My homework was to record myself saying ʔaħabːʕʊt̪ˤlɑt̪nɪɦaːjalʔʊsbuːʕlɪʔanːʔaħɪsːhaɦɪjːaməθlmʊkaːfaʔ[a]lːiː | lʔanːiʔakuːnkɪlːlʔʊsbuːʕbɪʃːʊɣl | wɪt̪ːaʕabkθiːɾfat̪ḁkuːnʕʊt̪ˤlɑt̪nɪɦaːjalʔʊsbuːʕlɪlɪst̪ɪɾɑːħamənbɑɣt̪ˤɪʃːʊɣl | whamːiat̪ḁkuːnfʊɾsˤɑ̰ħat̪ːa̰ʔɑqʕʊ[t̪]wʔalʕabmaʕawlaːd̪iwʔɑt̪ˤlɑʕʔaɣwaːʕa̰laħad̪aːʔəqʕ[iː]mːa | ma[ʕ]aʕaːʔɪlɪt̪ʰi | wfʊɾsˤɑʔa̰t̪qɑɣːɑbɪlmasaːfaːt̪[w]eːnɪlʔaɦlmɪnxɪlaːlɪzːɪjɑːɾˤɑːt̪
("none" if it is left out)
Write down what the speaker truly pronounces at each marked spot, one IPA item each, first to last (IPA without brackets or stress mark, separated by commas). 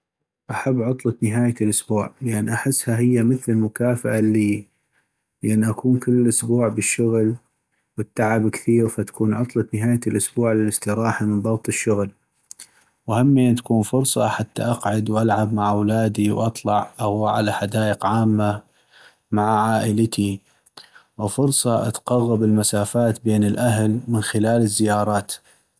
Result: a, d̪, aː, ʕ, b